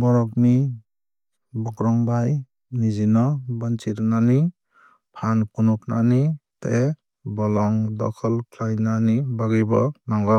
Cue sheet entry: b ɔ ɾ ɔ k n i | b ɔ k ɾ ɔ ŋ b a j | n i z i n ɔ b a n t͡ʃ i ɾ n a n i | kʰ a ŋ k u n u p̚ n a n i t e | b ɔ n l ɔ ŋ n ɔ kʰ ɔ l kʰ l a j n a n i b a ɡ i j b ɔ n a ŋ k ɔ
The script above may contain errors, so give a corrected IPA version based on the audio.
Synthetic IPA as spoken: b ɔ ɾ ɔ k n i | b ɔ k ɾ ɔ ŋ b a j | n i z i n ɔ b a n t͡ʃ i ɾ n a n i | pʰ a n k u n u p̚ n a n i t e | b ɔ l ɔ ŋ d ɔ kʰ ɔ l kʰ l a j n a n i b a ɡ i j b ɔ n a ŋ ɡ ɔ

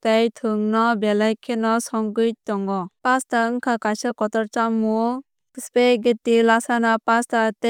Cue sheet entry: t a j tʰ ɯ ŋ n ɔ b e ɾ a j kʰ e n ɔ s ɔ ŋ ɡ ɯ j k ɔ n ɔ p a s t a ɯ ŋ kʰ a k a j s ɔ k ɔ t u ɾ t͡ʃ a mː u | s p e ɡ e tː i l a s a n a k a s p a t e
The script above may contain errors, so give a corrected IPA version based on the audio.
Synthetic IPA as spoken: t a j tʰ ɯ ŋ n ɔ b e l a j kʰ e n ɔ s ɔ ŋ ɡ ɯ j t ɔ ŋ ɔ p a s t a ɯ ŋ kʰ a k a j s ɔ k ɔ t ɔ ɾ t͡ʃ a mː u | s p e ɡ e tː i l a s a n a p a s t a t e

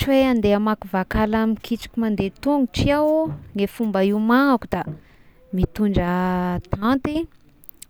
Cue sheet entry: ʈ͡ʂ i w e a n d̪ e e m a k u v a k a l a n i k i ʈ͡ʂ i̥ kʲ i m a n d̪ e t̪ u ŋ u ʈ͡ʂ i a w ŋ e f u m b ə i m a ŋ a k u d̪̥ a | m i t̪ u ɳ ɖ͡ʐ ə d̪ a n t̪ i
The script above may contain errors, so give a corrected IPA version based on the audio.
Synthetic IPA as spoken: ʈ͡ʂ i w e a n d̪ e a m a k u v a k a l a m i k i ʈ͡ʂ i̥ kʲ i m a n d̪ e t̪ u ŋ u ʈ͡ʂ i a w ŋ e f u m b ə i m a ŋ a k u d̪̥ a | m i t̪ u ɳ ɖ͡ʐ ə t̪ a n t̪ i

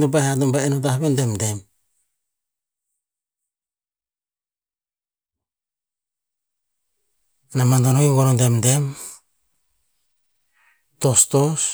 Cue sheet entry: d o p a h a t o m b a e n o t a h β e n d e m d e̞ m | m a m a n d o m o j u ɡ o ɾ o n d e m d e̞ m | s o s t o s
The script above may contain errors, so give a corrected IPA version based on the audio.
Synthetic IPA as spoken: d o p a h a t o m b a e n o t a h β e n d e m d e̞ m | n a m a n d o n o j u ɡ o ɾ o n d e m d e̞ m | t o s t o s

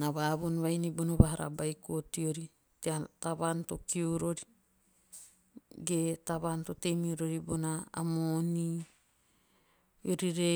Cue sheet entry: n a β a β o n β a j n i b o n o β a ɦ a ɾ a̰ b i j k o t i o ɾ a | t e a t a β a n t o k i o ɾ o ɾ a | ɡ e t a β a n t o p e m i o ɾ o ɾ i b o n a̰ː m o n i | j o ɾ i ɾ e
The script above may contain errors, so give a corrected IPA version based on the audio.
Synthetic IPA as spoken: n a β a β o n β a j n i b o n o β a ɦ a ɾ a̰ b a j k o t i o ɾ i | t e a t a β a n t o k i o ɾ o ɾ i | ɡ e t a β a n t o t e m i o ɾ o ɾ i b o n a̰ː m o n i | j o ɾ i ɾ e

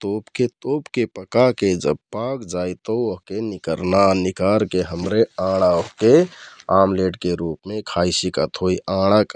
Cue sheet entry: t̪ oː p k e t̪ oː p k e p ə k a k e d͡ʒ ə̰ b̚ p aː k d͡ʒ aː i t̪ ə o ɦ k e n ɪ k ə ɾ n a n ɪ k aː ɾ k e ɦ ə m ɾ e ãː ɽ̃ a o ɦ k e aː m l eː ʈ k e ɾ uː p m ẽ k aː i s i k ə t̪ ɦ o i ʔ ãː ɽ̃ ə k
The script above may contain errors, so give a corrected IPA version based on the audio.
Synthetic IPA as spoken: t̪ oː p k e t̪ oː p k e p ə k a k e d͡ʒ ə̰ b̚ p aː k d͡ʒ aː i t̪ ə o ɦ k e n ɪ k ə ɾ n a n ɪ k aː ɾ k e ɦ ə m ɾ e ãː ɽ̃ a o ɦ k e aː m l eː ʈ k e ɾ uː p m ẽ kʰ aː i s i k ə t̪ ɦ o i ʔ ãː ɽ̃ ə k

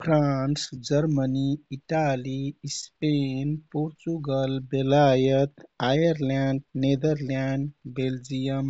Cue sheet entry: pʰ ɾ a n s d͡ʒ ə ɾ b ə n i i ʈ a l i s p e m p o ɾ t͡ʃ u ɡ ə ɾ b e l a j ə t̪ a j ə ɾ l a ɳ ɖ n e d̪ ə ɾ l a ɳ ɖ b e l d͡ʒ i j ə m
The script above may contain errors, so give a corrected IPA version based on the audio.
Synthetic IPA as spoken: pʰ ɾ a n s d͡ʒ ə ɾ m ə n i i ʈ a l i s p e n p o ɾ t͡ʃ u ɡ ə l b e l a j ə t̪ a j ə ɾ l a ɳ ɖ n e d̪ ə ɾ l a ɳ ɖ b e l d͡ʒ i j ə m

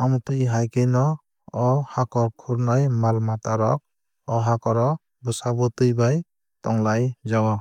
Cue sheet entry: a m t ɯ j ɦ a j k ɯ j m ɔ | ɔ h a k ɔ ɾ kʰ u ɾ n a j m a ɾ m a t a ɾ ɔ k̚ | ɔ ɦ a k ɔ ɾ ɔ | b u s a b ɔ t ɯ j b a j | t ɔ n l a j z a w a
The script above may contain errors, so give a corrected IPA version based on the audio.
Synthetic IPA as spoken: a m t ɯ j ɦ a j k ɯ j n ɔ | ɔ h a k ɔ ɾ kʰ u ɾ n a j m a l m a t a ɾ ɔ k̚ | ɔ ɦ a k ɔ ɾ ɔ | b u s a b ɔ t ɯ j b a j | t ɔ ŋ l a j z a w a

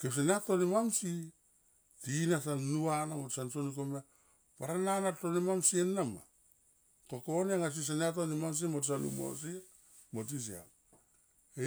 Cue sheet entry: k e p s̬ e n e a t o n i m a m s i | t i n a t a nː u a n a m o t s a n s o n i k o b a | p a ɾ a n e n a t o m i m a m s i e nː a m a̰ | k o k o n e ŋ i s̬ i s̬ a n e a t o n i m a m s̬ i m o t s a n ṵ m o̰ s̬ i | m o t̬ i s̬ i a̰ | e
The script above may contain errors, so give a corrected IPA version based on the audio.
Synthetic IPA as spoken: k e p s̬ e n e a t o n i m a m s i | t i n a s a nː u a n a m o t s a n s o n i k o m a | p a ɾ a n a n a t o n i m a m s i e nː a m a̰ | k o k o n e ŋ a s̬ i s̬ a n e a t o n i m a m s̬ i m o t s a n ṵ m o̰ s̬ i | m o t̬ i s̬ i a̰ | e

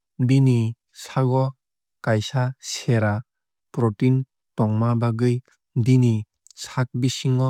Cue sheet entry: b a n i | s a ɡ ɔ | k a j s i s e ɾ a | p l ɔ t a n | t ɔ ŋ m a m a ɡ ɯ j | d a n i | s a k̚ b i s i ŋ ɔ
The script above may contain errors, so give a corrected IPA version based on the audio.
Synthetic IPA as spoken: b i n i | s a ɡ ɔ | k a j s a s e ɾ a | p ɾ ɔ t i n | t ɔ ŋ m a b a ɡ ɯ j | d i n i | s a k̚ b i s i ŋ ɔ

